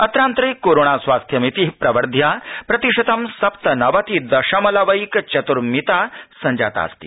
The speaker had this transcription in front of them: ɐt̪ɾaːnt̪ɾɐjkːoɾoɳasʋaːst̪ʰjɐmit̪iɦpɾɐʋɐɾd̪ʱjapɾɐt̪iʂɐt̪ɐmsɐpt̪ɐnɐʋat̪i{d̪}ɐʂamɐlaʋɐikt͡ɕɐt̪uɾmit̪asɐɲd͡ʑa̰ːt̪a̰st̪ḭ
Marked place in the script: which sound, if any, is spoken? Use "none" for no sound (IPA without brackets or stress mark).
d̪